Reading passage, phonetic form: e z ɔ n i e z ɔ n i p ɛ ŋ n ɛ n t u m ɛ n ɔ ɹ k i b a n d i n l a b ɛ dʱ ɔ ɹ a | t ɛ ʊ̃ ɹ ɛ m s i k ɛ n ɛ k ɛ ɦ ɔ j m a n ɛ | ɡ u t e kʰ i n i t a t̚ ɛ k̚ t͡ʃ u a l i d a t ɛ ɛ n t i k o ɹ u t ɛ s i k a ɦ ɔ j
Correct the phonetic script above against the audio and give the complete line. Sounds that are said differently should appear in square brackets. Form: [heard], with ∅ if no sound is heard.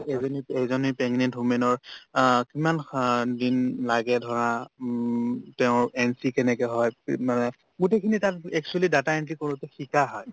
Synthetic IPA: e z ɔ n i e z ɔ n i p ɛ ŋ n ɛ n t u m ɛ n ɔ ɹ k i [m] a n d i n l a [ɡ] ɛ dʱ ɔ ɹ a | t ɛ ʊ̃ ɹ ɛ [n] s i k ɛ n ɛ k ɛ ɦ ɔ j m a n ɛ | ɡ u t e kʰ i n i t a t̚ ɛ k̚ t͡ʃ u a l i d a t [a] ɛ n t i k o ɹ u t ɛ [x] i k a ɦ ɔ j

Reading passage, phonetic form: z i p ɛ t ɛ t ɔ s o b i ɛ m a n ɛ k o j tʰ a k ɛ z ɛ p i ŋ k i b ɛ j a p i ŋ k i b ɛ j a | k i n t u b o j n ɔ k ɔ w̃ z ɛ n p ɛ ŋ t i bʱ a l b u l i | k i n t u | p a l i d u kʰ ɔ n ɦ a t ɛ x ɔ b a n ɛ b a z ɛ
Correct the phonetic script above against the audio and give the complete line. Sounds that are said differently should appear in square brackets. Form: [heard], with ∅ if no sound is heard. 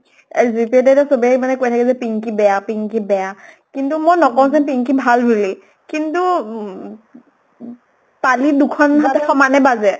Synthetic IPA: z i p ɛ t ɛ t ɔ s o b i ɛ m a n ɛ k o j tʰ a k ɛ z ɛ p i ŋ k i b ɛ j a p i ŋ k i b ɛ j a | k i n t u [m] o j n ɔ k ɔ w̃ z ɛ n p [i] ŋ [k] i bʱ a l b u l i | k i n t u | p a l i d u kʰ ɔ n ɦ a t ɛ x ɔ [m] a n ɛ b a z ɛ

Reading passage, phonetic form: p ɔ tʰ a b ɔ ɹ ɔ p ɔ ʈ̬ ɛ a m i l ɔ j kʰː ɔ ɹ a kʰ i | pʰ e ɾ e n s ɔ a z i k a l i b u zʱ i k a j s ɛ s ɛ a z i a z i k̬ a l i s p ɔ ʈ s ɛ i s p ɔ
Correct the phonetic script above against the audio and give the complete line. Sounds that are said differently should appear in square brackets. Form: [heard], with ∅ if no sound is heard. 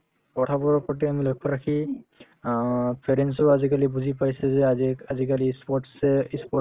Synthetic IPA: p ɔ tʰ a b ɔ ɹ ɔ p ɔ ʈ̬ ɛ a m i l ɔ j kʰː ɔ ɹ a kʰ i | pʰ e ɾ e n s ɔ a z i k a l i b u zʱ i [p] a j s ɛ [z] ɛ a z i a z i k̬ a l i s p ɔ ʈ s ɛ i s p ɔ

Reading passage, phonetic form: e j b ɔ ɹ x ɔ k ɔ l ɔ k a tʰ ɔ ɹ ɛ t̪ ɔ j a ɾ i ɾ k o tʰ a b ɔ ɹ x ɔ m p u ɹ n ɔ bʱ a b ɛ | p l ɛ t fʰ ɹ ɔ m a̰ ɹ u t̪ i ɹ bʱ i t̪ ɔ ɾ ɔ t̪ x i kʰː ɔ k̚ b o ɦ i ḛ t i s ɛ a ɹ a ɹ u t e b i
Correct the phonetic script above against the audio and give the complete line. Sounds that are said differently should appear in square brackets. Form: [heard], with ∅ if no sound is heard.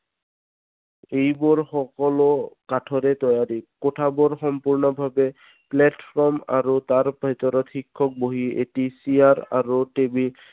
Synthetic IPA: e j b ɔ ɹ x ɔ k ɔ l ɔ k a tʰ ɔ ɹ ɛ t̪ ɔ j a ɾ i [∅] k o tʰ a b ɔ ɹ x ɔ m p u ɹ n ɔ bʱ a b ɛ | p l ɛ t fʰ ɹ ɔ m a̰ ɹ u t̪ [a] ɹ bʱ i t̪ ɔ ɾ ɔ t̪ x i kʰː ɔ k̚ b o ɦ i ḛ t i s [i] a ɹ a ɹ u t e b i

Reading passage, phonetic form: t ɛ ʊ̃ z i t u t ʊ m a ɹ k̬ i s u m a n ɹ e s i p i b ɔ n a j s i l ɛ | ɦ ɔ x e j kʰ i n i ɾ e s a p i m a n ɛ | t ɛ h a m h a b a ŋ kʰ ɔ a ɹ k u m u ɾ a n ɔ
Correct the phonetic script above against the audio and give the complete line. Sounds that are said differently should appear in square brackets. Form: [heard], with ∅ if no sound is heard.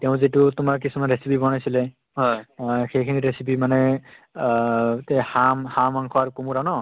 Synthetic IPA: t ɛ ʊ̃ z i t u t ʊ m a ɹ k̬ i s u m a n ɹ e s i p i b ɔ n a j s i l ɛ | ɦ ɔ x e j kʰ i n i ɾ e s [i] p i m a n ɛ | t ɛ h a m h a [m] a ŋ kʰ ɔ a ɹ k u m u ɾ a n ɔ

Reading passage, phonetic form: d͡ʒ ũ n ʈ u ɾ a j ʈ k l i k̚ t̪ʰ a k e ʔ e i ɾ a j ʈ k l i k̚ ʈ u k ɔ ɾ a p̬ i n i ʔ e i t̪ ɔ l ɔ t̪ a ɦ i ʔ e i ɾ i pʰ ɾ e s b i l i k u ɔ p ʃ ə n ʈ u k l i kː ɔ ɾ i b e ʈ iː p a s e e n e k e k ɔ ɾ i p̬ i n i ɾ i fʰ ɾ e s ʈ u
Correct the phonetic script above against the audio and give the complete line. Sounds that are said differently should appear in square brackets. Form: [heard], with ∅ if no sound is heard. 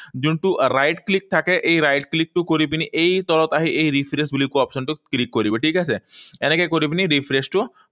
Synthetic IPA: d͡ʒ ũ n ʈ u ɾ a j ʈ k l i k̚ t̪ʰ a k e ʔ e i ɾ a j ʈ k l i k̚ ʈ u k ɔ ɾ [i] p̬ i n i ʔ e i t̪ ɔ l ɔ t̪ a ɦ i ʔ e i ɾ i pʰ ɾ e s b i l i k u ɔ p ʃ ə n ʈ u k l i kː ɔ ɾ i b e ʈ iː [k] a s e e n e k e k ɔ ɾ i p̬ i n i ɾ i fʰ ɾ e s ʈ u

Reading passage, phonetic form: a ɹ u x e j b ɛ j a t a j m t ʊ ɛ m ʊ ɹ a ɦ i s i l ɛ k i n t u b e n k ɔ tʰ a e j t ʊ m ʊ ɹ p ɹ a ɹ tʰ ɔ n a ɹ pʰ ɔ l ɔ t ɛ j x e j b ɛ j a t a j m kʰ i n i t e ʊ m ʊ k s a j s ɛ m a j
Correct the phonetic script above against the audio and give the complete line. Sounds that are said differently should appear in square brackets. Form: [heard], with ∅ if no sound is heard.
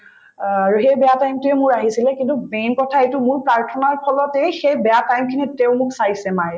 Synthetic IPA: a ɹ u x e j b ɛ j a t a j m t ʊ ɛ m ʊ ɹ a ɦ i s i l ɛ k i n t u b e n k ɔ tʰ a e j t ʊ m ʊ ɹ p ɹ a ɹ tʰ ɔ n a ɹ pʰ ɔ l ɔ t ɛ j x e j b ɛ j a t a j m kʰ i n i t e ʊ m ʊ k s a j s ɛ m a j

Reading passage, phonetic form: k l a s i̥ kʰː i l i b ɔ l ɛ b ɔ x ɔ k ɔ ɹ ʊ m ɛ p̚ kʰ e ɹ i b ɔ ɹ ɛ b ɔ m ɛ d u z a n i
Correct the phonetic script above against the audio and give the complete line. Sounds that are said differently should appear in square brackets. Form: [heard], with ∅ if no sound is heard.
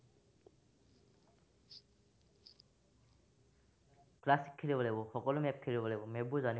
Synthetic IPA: k l a s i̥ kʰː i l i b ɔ l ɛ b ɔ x ɔ k ɔ [l] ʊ m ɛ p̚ kʰ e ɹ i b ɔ [l] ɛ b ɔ m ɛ [b] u z a n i

